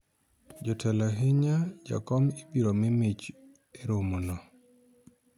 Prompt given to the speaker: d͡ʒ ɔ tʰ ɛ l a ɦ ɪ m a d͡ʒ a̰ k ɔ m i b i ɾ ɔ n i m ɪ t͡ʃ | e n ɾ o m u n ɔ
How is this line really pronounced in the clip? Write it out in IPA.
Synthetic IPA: d͡ʒ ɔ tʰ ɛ l a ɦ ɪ ɲ a d͡ʒ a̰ k ɔ m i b i ɾ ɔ m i m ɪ t͡ʃ | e ɾ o m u n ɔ